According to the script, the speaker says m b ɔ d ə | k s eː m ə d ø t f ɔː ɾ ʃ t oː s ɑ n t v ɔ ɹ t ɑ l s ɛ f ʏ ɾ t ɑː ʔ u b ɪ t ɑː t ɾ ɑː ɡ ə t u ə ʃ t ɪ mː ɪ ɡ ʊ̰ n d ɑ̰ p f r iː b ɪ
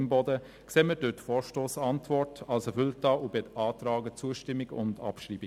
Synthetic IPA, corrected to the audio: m b ɔ d ə | k s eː m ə d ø t f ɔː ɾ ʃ t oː s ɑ n t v ɔ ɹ t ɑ l s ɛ f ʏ l t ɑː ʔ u b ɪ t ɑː t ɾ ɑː ɡ ə t͡s u ə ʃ t ɪ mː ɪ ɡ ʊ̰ n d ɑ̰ p ʃ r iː b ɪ